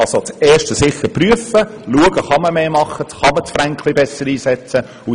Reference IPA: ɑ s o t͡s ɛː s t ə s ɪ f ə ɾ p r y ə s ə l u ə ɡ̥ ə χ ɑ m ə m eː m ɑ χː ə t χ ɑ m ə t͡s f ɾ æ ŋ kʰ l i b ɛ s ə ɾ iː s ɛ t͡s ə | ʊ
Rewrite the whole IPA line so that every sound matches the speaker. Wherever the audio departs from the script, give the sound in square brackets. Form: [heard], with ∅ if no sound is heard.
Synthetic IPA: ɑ s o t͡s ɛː [ʃ] t ə s ɪ [χ] ə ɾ p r y ə [f] ə l u ə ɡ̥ ə χ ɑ m ə m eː m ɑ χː ə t χ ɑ m ə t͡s f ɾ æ ŋ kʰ l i b ɛ s ə ɾ iː s ɛ t͡s ə | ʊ